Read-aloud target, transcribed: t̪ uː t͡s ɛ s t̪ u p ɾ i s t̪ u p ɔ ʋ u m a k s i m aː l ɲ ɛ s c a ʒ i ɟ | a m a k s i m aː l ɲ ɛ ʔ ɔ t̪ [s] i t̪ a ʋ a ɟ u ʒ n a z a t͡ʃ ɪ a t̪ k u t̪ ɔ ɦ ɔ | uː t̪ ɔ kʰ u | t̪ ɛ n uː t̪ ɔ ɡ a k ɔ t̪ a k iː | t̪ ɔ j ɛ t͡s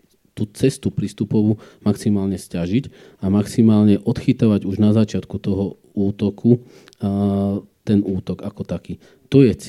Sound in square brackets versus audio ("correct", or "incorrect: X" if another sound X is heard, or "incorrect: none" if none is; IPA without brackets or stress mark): incorrect: x